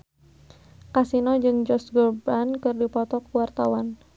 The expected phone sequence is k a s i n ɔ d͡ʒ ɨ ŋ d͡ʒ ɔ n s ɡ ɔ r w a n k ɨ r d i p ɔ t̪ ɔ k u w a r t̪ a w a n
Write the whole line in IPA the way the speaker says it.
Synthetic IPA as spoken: k a s i n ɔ d͡ʒ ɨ ŋ d͡ʒ ɔ s ɡ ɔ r b a n k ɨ r d i p ɔ t̪ ɔ k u w a r t̪ a w a n